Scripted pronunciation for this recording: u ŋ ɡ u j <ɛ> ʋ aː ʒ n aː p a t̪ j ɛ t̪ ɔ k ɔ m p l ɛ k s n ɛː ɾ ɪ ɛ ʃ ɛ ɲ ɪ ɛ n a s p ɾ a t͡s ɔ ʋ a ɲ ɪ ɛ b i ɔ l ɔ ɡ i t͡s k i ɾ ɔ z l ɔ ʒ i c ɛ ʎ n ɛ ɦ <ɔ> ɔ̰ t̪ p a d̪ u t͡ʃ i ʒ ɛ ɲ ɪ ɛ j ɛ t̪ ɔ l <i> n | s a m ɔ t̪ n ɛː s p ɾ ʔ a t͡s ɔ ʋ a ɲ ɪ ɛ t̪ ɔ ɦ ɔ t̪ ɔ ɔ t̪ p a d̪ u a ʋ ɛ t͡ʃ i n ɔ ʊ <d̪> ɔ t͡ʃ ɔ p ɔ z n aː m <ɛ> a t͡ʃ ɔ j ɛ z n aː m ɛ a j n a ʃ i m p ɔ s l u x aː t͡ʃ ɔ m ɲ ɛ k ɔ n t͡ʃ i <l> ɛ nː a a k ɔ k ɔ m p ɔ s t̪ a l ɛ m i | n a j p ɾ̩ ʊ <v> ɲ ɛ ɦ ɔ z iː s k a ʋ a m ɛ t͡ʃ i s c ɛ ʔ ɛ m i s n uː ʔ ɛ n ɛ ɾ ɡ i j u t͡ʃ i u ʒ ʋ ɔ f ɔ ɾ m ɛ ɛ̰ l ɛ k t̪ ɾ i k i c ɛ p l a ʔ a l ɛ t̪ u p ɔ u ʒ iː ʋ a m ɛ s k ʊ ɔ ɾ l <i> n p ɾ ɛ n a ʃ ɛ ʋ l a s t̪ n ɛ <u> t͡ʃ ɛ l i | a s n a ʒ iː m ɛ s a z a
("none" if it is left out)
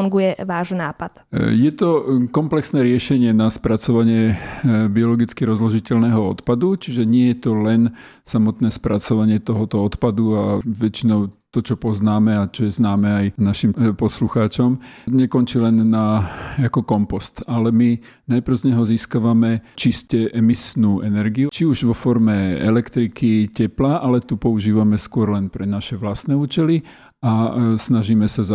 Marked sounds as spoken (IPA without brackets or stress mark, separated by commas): ɛ, ɔ, ɛ, t̪, ɛ, l, z, ɛ, uː